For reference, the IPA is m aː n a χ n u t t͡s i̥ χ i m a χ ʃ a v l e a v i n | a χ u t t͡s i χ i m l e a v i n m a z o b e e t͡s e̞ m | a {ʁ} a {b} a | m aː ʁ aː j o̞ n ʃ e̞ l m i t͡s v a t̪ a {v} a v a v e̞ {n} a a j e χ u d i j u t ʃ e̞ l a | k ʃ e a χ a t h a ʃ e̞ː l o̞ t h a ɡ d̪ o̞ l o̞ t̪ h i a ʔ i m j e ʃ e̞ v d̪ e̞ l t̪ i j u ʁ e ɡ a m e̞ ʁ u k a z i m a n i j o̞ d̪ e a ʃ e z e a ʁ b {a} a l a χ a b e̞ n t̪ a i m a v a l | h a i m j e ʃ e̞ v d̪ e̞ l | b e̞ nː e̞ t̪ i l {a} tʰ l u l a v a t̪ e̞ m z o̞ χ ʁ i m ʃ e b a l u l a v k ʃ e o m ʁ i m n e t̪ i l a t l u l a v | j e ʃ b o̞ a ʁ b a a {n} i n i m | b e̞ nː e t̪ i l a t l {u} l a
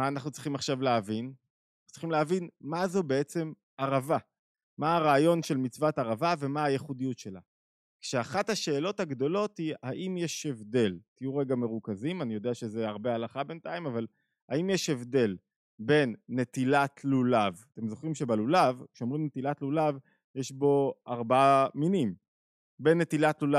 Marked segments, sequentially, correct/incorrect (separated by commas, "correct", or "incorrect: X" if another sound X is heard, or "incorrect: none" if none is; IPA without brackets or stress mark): correct, incorrect: v, incorrect: ʁ, incorrect: m, incorrect: e, correct, incorrect: m, correct